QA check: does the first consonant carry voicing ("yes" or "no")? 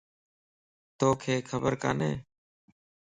no